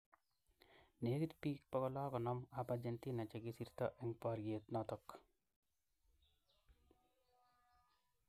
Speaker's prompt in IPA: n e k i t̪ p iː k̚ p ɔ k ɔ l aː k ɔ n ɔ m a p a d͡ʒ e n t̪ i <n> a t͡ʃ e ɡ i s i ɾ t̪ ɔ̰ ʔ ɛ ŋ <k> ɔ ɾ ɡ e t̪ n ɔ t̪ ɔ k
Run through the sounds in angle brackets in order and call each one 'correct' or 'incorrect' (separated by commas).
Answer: correct, incorrect